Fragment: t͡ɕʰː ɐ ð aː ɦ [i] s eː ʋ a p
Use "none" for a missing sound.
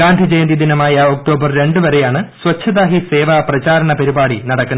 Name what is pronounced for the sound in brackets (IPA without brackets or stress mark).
i